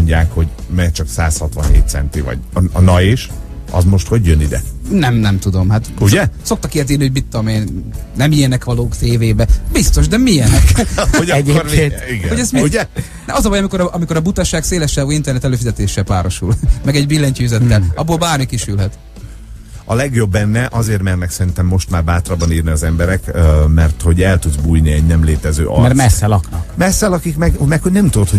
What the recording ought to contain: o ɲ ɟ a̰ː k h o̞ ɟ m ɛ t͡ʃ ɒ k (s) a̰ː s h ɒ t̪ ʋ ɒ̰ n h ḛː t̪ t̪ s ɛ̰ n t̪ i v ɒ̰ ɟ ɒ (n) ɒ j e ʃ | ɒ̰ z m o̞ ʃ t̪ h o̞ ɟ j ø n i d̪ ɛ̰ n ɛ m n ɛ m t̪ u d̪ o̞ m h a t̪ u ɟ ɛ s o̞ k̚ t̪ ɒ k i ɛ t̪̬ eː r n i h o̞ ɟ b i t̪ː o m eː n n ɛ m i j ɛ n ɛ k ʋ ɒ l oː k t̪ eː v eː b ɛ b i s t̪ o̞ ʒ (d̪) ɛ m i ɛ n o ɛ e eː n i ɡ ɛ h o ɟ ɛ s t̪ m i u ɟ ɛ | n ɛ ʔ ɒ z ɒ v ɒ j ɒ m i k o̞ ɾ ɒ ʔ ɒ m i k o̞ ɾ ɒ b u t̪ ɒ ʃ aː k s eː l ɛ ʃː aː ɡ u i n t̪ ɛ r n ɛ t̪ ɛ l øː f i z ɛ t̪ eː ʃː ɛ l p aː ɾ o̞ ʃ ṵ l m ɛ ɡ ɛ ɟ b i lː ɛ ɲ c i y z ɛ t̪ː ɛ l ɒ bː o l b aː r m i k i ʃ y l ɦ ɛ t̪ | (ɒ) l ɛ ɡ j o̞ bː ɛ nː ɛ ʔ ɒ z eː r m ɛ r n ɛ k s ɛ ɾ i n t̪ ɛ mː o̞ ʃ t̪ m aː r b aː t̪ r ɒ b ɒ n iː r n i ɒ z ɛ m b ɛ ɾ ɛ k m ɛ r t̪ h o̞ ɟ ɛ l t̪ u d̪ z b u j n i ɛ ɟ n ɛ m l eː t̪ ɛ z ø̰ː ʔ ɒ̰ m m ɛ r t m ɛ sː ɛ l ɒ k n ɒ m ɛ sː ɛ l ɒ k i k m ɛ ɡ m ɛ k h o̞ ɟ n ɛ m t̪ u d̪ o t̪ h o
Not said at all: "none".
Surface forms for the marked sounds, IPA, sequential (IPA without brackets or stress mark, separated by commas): s, n, d̪, ɒ